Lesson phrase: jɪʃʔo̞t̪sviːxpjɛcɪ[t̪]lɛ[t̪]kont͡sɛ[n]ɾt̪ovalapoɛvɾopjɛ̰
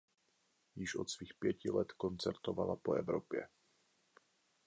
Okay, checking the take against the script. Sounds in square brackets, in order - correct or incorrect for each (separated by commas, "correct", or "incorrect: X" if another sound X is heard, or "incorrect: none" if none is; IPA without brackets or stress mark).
incorrect: none, correct, incorrect: none